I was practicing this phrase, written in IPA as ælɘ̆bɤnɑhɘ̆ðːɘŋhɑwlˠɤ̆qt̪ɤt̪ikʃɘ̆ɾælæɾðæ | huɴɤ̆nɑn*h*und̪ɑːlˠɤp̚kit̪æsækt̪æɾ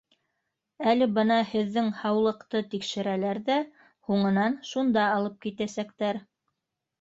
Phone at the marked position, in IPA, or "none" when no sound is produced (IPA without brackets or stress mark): ʃ